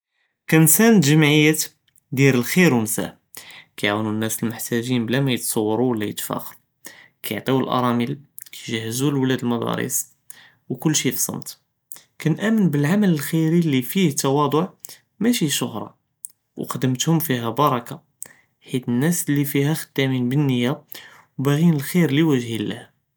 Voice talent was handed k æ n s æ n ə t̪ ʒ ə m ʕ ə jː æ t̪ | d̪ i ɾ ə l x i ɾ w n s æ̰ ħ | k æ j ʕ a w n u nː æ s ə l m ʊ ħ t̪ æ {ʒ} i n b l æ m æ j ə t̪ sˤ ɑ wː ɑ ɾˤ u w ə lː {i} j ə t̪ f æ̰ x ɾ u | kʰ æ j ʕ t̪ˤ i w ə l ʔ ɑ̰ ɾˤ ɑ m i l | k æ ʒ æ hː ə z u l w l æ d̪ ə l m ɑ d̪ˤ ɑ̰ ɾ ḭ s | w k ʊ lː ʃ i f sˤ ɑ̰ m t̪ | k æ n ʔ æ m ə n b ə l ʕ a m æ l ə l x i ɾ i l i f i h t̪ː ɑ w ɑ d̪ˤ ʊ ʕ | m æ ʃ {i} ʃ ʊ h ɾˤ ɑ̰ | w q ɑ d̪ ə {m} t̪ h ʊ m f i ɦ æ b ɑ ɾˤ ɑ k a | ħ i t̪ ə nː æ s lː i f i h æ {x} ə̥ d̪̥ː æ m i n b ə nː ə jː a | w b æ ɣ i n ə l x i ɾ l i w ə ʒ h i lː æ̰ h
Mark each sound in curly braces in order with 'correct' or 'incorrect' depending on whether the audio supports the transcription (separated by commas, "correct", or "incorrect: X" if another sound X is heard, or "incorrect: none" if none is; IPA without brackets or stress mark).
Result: correct, incorrect: æ, correct, correct, correct